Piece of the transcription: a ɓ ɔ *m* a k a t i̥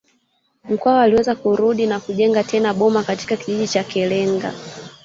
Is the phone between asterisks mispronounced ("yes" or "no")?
no